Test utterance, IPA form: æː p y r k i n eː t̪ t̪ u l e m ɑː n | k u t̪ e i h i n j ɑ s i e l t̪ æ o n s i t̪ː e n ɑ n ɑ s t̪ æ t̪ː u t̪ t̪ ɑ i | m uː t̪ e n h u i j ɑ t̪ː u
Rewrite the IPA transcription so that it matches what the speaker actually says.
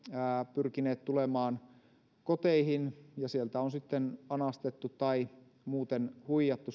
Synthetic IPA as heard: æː p y r k i n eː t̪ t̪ u l e m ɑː n | k o t̪ e i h i n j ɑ s i e l t̪ æ o n s i t̪ː e n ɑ n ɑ s t̪ e t̪ː u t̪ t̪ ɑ i | m uː t̪ e n h u i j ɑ t̪ː u